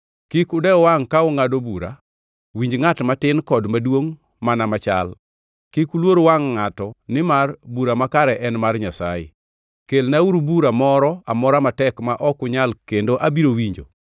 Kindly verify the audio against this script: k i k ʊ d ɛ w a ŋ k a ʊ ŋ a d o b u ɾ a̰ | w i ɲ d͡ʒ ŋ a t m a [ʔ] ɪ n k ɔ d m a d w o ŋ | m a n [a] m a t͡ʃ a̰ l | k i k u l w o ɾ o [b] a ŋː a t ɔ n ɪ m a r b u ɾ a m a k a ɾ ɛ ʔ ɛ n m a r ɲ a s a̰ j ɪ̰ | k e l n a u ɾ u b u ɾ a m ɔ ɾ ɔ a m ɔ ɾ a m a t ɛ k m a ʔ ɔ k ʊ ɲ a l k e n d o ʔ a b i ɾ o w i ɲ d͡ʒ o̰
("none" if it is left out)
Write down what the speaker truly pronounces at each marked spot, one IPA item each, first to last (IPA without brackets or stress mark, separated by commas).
t, a, w